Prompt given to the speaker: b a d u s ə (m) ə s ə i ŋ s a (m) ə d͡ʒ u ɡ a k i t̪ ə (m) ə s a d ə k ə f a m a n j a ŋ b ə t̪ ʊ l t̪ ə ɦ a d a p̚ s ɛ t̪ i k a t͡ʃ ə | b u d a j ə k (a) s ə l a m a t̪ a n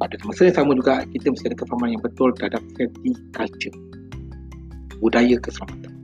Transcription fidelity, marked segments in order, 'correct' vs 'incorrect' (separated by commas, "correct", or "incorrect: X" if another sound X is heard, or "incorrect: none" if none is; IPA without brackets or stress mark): correct, correct, correct, incorrect: ə